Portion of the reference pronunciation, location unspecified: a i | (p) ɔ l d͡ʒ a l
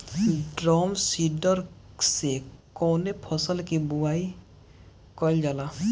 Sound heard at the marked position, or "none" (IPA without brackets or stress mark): k